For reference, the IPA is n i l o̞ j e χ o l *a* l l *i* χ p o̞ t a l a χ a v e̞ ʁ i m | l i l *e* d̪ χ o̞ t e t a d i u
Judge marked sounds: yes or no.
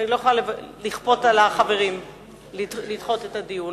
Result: yes, yes, no

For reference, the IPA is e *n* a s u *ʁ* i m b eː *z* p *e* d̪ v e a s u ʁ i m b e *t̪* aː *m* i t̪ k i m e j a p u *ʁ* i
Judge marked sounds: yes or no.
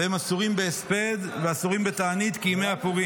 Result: no, yes, no, yes, yes, no, yes

